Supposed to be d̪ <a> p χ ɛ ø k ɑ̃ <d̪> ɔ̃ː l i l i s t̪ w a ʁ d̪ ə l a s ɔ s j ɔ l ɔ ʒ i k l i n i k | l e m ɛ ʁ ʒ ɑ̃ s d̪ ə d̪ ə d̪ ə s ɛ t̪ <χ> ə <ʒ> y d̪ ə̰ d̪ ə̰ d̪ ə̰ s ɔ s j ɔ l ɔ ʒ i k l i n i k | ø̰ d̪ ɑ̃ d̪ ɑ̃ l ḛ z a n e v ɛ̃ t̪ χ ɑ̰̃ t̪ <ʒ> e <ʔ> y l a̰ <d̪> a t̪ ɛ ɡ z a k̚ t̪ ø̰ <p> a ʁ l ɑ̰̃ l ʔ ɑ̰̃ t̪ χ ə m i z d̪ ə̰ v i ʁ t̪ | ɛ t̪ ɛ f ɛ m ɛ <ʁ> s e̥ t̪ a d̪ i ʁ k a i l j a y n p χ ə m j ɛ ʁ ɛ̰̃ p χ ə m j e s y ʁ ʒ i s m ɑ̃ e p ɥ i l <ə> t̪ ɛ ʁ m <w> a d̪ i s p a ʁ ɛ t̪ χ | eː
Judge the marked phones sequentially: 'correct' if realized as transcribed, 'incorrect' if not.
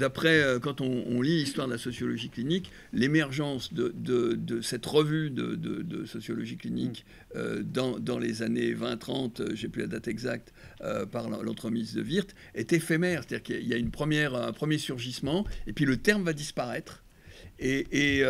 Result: correct, incorrect, incorrect, incorrect, correct, incorrect, correct, correct, correct, correct, incorrect

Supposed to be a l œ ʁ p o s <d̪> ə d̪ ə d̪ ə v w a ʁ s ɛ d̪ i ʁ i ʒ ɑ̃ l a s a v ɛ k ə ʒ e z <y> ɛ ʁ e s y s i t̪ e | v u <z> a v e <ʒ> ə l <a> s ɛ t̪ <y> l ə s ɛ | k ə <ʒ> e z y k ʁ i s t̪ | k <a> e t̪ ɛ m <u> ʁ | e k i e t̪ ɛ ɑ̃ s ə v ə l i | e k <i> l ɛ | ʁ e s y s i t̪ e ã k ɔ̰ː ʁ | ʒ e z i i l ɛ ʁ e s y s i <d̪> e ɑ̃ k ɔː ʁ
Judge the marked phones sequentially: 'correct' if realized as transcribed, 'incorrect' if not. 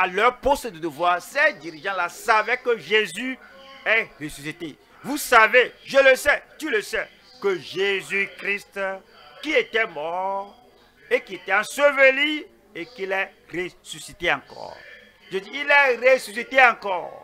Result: incorrect, correct, incorrect, correct, incorrect, correct, correct, incorrect, incorrect, correct, incorrect

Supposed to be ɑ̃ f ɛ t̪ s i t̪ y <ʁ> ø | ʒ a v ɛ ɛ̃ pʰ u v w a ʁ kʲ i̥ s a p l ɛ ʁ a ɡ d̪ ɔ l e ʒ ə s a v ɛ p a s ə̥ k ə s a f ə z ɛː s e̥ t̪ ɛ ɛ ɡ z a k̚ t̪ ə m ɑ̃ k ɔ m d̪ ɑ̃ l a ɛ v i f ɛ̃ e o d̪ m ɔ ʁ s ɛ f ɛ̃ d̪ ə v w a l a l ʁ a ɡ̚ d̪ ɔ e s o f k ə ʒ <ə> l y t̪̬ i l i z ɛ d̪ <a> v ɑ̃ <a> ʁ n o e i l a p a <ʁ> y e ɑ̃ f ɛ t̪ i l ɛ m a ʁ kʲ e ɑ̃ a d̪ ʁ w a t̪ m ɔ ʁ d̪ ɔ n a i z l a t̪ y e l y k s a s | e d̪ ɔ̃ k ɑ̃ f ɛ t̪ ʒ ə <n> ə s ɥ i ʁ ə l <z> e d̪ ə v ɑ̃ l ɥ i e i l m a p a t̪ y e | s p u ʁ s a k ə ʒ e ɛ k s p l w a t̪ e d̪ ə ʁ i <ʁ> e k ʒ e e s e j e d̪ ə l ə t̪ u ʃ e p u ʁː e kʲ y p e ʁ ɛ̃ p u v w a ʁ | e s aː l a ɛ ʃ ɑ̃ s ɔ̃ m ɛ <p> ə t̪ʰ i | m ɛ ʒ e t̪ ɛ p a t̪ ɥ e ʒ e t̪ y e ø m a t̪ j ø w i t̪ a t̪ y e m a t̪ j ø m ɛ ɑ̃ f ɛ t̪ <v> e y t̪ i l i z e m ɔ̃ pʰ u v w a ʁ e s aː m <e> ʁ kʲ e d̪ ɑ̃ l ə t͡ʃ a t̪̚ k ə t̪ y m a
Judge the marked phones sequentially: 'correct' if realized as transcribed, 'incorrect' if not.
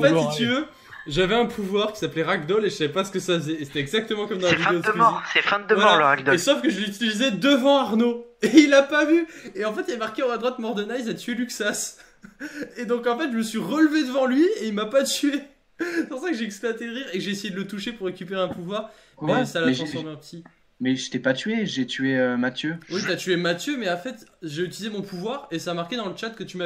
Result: incorrect, correct, incorrect, correct, incorrect, incorrect, incorrect, correct, correct, incorrect, incorrect

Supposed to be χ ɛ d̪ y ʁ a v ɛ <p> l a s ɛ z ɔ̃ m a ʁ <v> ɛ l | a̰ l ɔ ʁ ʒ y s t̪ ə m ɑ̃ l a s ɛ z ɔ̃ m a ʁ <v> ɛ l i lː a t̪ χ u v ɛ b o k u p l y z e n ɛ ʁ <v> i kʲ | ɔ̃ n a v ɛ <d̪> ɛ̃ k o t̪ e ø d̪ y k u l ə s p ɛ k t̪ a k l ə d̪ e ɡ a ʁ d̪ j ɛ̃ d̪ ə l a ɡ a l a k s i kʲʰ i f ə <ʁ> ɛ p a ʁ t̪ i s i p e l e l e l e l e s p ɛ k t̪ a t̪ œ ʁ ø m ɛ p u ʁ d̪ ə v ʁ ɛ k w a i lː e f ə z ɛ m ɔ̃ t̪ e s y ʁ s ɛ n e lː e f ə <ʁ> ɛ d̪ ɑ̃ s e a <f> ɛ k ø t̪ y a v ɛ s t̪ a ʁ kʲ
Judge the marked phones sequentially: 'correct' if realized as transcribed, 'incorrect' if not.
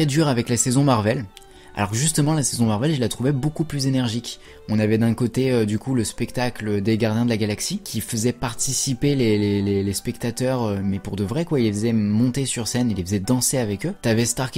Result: incorrect, correct, correct, incorrect, correct, incorrect, incorrect, incorrect

